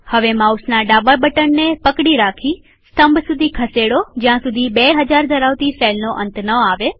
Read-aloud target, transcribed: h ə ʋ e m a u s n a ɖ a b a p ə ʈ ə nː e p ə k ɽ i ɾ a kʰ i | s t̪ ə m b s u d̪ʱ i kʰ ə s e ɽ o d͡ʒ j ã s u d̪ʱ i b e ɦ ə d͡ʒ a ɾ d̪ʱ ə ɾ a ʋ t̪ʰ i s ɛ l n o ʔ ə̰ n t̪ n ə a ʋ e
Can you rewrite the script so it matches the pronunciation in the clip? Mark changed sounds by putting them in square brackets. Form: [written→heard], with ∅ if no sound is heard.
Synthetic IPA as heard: h ə ʋ e m a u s n a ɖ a b a [p→b] ə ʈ ə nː e p ə k ɽ i ɾ a kʰ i | s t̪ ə m b s u d̪ʱ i kʰ ə s e ɽ o d͡ʒ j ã s u d̪ʱ i b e ɦ ə d͡ʒ a ɾ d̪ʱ ə ɾ a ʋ [t̪ʰ→t̪] i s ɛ l n o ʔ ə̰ n t̪ n ə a ʋ e